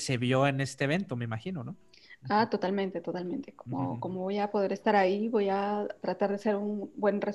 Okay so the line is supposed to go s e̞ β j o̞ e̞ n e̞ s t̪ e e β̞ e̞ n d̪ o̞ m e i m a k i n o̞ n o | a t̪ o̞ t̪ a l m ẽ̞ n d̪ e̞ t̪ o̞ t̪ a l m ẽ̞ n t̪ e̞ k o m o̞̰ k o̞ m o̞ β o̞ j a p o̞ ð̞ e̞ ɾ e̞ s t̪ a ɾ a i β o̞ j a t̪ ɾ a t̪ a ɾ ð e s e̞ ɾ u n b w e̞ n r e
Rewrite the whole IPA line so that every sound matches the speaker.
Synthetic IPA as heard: s e̞ β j o̞ e̞ n e̞ s t̪ e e β̞ e̞ n t̪ o̞ m e i m a x i n o̞ n o | a t̪ o̞ t̪ a l m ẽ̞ n t̪ e̞ t̪ o̞ t̪ a l m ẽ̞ n t̪ e̞ k o m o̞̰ k o̞ m o̞ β o̞ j a p o̞ ð̞ e̞ ɾ e̞ s t̪ a ɾ a i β o̞ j a t̪ ɾ a t̪ a ɾ ð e s e̞ ɾ u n b w e̞ n r e